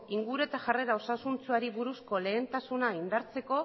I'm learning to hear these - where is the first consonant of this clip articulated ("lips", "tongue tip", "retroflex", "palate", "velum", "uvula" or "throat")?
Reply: velum